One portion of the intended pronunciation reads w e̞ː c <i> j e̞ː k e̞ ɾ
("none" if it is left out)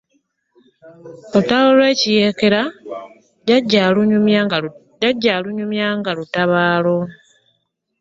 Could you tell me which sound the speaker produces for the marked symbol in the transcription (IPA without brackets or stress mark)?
i